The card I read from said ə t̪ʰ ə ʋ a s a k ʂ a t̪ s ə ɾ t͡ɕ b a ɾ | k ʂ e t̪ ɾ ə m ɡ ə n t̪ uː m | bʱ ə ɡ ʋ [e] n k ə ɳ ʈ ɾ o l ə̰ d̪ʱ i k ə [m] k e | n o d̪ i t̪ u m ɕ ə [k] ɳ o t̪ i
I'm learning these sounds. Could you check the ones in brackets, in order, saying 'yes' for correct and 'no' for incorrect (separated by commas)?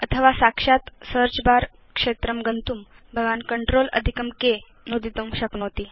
no, yes, yes